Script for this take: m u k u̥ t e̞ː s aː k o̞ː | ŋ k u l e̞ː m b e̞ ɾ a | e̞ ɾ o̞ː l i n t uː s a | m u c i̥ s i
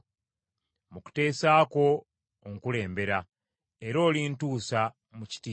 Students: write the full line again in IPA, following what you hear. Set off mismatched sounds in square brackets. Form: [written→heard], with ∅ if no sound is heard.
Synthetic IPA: m u k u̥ t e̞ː s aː k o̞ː | ŋ k u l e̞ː m b e̞ ɾ a | e̞ ɾ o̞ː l i n t uː s a | m u c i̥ [s→t] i